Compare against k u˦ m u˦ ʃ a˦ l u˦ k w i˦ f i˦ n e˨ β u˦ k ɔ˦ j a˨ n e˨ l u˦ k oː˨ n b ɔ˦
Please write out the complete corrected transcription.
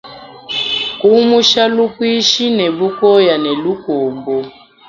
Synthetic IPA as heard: k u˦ m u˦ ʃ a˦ l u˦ k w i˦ ʃ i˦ n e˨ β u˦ k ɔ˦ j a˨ n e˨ l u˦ k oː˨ m b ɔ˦